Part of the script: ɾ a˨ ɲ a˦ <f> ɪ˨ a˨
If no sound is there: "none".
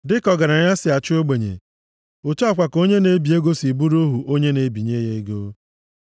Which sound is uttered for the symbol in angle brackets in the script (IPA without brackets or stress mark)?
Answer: s